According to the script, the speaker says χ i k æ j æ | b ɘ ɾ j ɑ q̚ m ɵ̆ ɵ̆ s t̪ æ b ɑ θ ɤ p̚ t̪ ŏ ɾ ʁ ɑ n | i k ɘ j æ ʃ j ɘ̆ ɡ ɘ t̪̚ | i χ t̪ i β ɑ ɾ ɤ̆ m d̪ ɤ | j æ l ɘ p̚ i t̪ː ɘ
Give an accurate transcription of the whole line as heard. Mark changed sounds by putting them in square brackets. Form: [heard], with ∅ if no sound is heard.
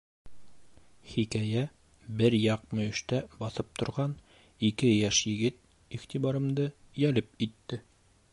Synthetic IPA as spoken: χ i k æ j æ | b ɘ ɾ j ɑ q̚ m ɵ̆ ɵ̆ [ʃ] t̪ æ b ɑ θ ɤ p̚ t̪ ŏ ɾ ʁ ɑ n | i k ɘ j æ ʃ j ɘ̆ ɡ ɘ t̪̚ | i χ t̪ i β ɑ ɾ ɤ̆ m d̪ ɤ | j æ l ɘ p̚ i t̪ː ɘ